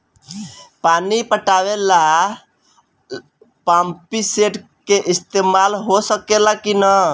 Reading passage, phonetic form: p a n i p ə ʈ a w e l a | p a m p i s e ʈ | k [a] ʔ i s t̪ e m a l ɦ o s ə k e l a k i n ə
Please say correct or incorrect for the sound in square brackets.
incorrect: e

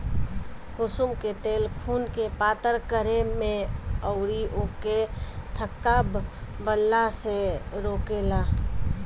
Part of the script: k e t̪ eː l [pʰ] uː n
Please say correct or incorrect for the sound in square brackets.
correct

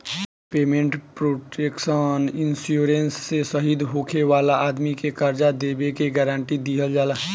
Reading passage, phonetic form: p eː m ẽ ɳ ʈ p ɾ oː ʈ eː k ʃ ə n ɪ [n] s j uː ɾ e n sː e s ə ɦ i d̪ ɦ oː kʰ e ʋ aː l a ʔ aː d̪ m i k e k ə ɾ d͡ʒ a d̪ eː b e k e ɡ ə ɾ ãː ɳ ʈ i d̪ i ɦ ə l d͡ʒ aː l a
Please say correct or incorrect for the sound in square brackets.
correct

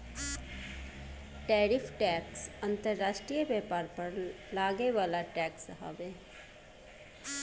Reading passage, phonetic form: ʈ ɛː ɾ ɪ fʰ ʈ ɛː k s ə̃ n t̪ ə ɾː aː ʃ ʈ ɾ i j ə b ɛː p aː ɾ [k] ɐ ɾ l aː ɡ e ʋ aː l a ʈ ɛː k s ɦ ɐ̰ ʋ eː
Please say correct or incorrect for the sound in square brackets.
incorrect: p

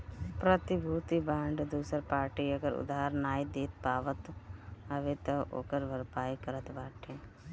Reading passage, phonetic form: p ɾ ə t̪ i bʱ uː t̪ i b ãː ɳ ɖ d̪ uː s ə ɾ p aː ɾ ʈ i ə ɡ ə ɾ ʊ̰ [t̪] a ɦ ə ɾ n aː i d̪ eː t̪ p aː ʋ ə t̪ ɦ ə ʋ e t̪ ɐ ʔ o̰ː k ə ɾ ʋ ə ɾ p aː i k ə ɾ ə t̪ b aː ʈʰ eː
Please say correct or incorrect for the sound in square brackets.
incorrect: d̪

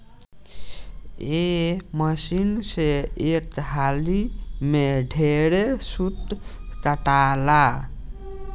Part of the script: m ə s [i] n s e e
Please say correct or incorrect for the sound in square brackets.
correct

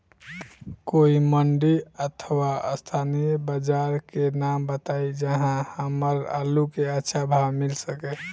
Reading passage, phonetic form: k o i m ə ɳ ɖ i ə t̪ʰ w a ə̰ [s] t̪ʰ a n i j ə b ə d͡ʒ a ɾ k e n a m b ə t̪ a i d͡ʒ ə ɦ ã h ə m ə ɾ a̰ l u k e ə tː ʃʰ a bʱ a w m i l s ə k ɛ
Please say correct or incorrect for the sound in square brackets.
correct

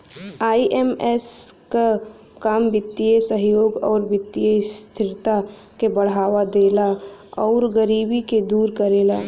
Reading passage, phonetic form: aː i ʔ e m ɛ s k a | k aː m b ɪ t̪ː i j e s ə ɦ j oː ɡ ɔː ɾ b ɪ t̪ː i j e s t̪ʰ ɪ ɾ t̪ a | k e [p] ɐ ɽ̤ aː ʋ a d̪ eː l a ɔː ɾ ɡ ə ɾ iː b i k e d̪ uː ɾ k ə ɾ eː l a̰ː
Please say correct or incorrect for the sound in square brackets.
incorrect: b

